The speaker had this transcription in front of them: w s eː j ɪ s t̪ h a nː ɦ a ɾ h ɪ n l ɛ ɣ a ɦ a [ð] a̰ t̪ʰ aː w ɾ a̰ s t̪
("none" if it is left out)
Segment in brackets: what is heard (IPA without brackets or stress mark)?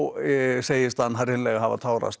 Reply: v